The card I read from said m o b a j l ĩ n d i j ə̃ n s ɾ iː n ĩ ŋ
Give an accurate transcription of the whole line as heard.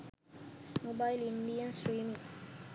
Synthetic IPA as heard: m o b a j l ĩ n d i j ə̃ n s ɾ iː m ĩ ŋ